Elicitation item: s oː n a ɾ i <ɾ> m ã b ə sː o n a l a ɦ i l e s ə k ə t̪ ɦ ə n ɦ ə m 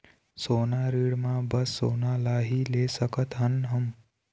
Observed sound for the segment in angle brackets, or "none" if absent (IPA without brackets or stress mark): ɽ